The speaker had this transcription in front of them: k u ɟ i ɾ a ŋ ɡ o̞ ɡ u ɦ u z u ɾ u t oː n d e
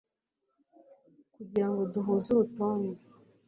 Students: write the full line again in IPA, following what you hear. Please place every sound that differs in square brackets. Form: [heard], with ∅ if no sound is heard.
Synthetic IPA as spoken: k u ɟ i ɾ a ŋ ɡ o̞ [d] u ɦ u z u ɾ u t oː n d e